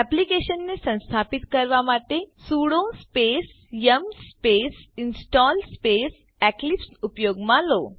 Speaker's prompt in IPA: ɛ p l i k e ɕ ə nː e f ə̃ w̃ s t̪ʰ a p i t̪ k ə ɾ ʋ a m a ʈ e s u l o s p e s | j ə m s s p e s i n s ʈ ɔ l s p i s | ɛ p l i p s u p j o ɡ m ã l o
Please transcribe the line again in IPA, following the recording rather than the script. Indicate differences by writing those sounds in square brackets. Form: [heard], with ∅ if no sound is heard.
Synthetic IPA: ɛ p l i k e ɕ ə nː e [s] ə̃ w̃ s t̪ʰ a p i t̪ k ə ɾ ʋ a m a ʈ e s u [ɽ] o s p e s | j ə m s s p e s i n s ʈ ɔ l s p [e] s | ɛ [k] l i p s u p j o ɡ m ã l o